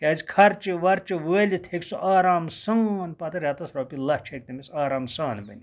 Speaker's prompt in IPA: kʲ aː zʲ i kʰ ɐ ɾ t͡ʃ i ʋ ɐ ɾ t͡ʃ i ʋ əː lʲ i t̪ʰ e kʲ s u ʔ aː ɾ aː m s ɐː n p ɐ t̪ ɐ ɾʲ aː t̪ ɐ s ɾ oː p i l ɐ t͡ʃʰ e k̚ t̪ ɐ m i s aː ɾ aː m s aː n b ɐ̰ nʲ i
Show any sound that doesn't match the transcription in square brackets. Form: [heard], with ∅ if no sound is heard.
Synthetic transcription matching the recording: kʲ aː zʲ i kʰ ɐ ɾ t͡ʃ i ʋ ɐ ɾ t͡ʃ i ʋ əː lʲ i t̪ʰ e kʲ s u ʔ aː ɾ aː m s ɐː n p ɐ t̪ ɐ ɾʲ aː t̪ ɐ s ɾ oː p i l ɐ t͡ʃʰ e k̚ t̪ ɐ m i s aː ɾ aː m s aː n b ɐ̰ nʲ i